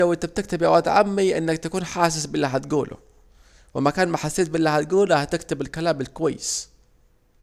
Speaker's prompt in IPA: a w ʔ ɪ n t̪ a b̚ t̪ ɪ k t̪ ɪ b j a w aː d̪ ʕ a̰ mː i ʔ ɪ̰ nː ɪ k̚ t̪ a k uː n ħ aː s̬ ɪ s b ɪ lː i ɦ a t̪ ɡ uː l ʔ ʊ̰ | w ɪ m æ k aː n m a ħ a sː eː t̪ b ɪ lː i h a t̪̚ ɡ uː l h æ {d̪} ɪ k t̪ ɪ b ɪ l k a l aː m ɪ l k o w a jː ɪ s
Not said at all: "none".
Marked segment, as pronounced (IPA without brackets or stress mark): t̪